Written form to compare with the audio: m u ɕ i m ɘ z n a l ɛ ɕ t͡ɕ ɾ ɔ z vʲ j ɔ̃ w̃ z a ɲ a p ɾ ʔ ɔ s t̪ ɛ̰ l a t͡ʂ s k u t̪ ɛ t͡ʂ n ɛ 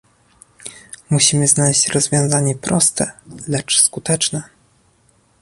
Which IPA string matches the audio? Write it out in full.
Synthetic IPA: m u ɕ i m ɘ z n a l ɛ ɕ t͡ɕ ɾ ɔ z vʲ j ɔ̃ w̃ z a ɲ ɛ p ɾ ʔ ɔ s t̪ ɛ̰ l ɛ t͡ʂ s k u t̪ ɛ t͡ʂ n ɛ